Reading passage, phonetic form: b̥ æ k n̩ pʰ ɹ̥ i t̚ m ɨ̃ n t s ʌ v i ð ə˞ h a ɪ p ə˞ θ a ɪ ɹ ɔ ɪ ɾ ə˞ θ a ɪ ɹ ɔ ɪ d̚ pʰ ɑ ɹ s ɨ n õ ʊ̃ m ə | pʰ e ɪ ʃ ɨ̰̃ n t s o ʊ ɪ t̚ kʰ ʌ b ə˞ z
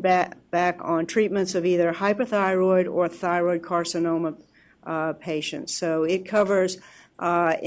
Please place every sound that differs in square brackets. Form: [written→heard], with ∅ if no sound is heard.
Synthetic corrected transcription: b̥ æ k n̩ [pʰ→tʰ] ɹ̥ i t̚ m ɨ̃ n t s ʌ v i ð ə˞ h a ɪ p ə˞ θ a ɪ ɹ ɔ ɪ ɾ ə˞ θ a ɪ ɹ ɔ ɪ d̚ [pʰ→kʰ] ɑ ɹ s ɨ n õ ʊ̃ m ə | pʰ e ɪ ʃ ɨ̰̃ n t s o ʊ ɪ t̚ kʰ ʌ [b→v] ə˞ z

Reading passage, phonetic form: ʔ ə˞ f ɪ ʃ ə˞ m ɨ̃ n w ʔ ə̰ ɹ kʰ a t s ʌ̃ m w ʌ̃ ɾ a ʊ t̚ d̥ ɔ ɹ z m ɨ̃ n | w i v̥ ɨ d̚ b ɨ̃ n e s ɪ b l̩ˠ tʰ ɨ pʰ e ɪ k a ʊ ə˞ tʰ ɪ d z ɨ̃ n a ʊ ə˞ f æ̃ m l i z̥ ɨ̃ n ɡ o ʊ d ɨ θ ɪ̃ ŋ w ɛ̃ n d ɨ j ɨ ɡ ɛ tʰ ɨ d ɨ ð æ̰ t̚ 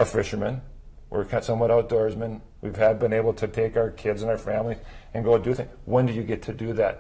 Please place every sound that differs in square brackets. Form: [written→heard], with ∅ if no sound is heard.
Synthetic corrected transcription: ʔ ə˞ f ɪ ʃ ə˞ m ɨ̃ n w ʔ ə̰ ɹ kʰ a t s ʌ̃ m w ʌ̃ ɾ a ʊ t̚ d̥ ɔ ɹ z m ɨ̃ n | w i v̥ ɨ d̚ b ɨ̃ n e [s→∅] ɪ b l̩ˠ tʰ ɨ [pʰ→tʰ] e ɪ k a ʊ ə˞ [tʰ→kʰ] ɪ d z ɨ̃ n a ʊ ə˞ f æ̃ m l i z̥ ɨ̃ n ɡ o ʊ d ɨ θ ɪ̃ ŋ w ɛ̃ n d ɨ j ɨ ɡ ɛ tʰ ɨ d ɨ ð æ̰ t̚

